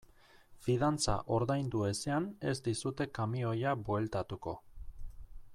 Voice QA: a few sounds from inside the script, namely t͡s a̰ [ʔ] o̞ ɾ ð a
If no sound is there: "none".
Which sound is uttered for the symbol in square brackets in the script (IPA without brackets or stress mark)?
ʔ